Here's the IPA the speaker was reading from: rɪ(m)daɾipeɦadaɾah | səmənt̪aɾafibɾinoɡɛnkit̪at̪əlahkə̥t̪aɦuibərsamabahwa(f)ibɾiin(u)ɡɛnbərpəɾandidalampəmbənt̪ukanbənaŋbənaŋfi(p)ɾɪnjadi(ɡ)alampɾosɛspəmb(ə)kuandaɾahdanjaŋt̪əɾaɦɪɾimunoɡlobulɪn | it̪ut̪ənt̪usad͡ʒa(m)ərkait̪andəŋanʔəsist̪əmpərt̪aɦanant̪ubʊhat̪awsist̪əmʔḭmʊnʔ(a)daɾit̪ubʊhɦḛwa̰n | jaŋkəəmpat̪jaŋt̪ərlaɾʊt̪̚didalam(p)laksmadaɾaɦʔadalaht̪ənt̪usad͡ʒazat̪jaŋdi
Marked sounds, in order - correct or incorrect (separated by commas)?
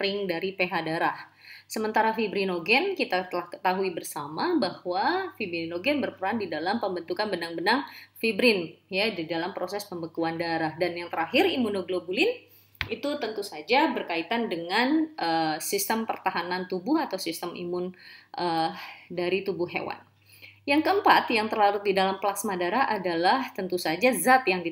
incorrect, correct, incorrect, incorrect, incorrect, correct, incorrect, incorrect, correct